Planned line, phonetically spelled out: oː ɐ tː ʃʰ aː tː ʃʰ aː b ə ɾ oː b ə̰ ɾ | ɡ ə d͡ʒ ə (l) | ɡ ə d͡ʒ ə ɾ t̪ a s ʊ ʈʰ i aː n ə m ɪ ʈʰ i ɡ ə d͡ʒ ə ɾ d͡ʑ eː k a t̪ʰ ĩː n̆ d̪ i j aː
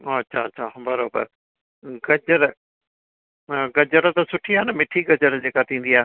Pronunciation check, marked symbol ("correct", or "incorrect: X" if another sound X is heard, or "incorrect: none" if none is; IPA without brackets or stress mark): incorrect: ɾ